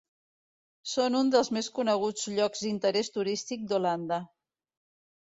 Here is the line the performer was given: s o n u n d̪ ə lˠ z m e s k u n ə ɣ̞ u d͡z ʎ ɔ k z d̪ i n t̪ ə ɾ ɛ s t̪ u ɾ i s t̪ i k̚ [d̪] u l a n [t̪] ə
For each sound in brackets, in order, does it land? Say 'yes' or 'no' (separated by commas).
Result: yes, no